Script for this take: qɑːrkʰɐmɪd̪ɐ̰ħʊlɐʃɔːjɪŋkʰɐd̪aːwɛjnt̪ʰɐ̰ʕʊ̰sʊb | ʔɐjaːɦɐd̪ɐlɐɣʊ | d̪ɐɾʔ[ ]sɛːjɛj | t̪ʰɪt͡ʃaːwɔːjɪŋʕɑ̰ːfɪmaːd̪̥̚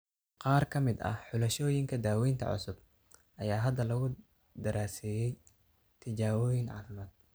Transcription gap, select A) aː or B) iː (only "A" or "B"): A